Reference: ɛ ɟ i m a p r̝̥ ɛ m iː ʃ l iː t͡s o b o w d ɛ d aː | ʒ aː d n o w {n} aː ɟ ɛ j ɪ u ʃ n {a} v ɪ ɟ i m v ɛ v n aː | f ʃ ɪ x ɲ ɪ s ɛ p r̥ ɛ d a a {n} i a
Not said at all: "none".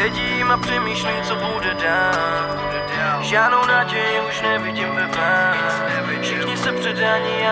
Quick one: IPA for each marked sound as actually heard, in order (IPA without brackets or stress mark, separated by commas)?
n, ɛ, ɲ